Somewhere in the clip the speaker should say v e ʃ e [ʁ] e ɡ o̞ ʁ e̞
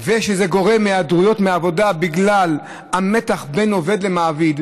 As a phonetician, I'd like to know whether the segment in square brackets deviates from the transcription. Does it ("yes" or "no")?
yes